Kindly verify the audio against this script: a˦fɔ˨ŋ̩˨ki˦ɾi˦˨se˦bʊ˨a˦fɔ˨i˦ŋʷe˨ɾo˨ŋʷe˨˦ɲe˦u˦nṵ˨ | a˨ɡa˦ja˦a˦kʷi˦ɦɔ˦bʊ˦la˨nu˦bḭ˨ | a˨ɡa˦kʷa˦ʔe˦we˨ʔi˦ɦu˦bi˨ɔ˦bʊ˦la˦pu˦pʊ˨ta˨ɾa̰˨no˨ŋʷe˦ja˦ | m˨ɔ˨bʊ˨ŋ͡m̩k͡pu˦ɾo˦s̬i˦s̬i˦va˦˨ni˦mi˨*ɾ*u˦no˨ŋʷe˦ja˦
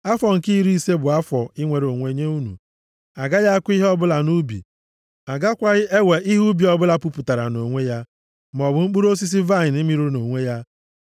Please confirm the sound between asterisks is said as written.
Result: yes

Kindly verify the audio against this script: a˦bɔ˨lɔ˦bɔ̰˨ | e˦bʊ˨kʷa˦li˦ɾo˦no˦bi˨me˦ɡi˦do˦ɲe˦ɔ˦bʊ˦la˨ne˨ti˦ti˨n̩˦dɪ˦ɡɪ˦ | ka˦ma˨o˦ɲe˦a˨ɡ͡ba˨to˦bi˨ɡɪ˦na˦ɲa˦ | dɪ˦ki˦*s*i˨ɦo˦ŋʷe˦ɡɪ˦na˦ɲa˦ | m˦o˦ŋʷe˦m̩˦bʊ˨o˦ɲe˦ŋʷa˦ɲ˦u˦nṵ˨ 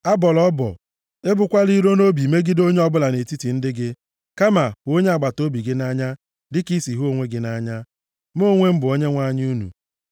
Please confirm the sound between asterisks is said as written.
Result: yes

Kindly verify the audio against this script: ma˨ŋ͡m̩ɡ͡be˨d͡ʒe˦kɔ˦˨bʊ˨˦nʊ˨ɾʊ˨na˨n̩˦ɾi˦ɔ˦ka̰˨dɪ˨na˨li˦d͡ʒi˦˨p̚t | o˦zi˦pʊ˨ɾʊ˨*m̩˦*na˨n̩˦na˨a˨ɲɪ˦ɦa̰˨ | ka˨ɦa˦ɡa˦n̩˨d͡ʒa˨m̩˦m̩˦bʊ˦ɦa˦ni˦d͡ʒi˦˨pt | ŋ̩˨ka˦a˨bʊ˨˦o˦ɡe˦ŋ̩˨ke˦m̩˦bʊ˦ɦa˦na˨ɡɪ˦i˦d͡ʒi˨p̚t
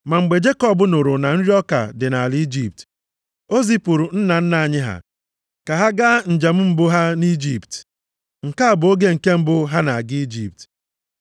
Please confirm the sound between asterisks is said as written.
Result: no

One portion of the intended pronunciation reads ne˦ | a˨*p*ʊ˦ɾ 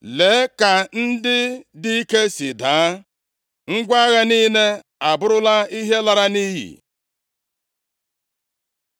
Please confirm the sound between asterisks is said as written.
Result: no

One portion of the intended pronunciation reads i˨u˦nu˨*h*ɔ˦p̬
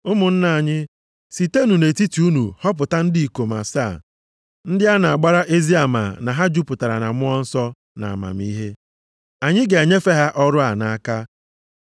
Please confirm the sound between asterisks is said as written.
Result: yes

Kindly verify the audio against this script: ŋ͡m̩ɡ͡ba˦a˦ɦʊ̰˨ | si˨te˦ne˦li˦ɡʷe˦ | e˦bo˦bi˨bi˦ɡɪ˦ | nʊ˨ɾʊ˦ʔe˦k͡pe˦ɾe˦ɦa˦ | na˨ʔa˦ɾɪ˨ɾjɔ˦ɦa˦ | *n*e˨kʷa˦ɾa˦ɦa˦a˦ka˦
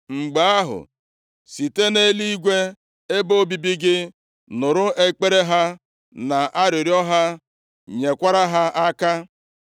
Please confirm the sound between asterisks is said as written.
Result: no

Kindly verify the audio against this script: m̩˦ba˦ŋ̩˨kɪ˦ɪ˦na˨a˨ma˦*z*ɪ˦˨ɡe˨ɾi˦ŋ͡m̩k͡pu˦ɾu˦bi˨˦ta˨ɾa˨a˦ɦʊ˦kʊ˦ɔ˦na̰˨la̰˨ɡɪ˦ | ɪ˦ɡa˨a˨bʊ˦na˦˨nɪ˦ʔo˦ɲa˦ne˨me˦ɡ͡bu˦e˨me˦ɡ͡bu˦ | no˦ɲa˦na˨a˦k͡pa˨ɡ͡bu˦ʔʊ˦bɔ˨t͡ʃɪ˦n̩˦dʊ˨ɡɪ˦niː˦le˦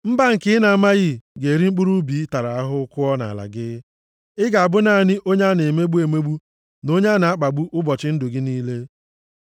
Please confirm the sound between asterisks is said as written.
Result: no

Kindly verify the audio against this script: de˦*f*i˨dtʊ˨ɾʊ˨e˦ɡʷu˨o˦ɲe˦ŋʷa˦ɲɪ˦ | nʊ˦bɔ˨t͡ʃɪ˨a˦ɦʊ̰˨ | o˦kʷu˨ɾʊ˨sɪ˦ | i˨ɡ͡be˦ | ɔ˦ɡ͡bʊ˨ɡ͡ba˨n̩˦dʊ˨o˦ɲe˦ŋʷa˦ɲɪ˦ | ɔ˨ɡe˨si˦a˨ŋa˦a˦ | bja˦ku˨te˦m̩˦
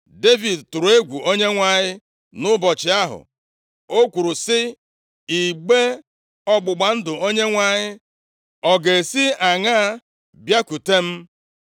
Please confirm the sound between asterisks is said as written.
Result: no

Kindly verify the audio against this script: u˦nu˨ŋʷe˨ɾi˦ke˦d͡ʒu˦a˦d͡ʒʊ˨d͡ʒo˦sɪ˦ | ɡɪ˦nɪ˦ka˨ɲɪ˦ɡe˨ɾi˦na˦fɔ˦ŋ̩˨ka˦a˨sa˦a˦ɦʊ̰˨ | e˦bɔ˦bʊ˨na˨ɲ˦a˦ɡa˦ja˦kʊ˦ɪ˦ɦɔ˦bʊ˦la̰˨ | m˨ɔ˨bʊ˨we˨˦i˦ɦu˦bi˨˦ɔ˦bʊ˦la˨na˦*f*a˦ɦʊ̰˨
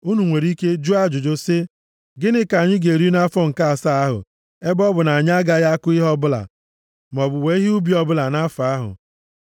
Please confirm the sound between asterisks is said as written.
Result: yes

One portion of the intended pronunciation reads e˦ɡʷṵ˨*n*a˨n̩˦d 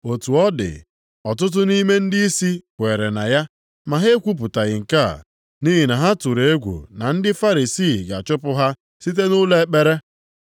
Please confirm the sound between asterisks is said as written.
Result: yes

